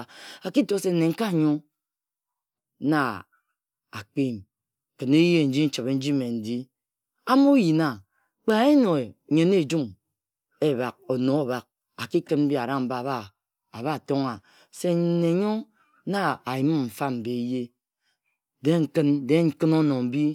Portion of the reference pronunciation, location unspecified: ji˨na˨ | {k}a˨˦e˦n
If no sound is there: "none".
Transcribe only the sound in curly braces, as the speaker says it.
k͡p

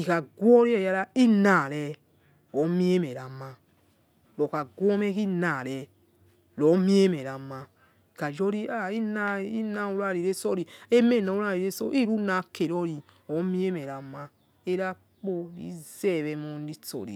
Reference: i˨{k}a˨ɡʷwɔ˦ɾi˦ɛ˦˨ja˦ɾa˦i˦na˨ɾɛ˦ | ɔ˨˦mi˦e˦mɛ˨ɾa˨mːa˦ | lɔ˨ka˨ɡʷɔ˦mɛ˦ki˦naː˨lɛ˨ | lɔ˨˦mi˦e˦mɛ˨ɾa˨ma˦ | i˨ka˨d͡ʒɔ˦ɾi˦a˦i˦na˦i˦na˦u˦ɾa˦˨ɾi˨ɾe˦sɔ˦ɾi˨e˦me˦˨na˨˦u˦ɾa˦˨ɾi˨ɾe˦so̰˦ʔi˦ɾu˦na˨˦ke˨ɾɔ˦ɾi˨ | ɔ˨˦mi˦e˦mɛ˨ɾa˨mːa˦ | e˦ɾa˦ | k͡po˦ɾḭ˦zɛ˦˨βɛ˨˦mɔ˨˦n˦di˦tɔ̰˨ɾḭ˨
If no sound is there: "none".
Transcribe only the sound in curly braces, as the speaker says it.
k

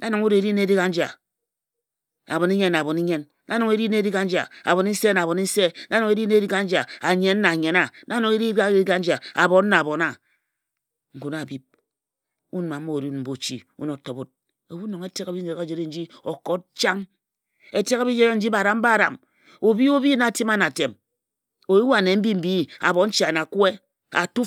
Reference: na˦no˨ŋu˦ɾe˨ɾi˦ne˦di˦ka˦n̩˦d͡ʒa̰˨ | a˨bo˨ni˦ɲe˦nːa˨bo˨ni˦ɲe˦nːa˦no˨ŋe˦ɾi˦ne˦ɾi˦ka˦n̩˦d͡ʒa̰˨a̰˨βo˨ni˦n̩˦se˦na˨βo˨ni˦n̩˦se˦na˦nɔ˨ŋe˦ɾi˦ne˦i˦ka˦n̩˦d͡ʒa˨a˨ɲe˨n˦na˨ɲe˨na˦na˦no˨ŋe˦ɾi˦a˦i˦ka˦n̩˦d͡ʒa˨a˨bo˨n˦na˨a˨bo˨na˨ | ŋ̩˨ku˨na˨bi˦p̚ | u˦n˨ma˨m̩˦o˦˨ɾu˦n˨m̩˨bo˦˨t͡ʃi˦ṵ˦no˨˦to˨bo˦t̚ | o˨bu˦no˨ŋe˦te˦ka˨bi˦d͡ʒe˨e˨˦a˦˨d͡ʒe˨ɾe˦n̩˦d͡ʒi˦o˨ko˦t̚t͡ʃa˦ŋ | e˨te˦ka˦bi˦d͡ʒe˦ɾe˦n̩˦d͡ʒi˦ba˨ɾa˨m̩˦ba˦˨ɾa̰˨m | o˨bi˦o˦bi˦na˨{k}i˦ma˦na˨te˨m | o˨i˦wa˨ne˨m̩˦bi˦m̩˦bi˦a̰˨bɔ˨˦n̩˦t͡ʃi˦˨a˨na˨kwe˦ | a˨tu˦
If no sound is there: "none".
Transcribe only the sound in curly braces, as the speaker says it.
t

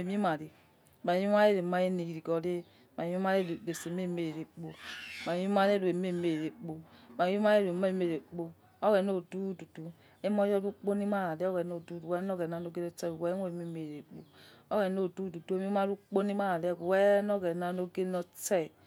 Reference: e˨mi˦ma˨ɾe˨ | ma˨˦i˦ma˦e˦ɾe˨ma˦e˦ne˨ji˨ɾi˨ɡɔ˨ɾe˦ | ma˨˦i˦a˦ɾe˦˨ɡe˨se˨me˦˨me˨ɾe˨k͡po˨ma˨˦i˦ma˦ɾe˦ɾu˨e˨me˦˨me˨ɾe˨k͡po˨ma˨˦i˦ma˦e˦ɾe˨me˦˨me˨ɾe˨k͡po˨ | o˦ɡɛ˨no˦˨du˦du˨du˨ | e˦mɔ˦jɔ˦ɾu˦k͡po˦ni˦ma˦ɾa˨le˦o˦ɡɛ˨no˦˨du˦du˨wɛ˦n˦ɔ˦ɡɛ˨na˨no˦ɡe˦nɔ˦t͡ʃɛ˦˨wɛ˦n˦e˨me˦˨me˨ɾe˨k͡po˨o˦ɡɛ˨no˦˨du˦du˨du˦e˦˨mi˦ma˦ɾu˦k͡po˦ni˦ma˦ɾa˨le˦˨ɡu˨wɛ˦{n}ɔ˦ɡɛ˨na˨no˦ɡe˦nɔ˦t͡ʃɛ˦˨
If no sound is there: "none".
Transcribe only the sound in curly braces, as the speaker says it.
n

